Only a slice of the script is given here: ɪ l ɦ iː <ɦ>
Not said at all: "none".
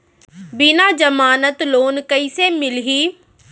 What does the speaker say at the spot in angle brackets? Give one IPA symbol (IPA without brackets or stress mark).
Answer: none